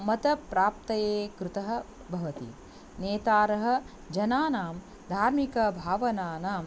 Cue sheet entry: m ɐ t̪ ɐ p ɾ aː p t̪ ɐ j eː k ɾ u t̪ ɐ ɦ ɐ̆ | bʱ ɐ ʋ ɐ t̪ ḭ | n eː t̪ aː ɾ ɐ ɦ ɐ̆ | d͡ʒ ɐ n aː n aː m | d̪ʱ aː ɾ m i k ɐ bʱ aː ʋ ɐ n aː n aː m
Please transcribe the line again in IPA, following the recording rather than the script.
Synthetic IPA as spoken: m ɐ t̪ ɐ p ɾ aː p t̪ ɐ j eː k ɾ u t̪ ɐ ɦ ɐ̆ | bʱ ɐ ʋ ɐ t̪ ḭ | n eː t̪ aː ɾ ɐ ɦ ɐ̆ | d͡ʒ ɐ n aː n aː m | d̪ʱ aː ɾ m i k ɐ bʱ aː ʋ ɐ n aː n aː m